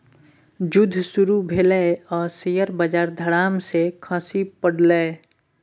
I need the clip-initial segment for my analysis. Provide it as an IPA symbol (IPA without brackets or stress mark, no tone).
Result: d͡ʒ